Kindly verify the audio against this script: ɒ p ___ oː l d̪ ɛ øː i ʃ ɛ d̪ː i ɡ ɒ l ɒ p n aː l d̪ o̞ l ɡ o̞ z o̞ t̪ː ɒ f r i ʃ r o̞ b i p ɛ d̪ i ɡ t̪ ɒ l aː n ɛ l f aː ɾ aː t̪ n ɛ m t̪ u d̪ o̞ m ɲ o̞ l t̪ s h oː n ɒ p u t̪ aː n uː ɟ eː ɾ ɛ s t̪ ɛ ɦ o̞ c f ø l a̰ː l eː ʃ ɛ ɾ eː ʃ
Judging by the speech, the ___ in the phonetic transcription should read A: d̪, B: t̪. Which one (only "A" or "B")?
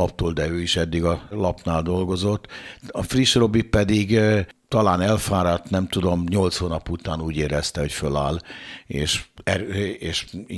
B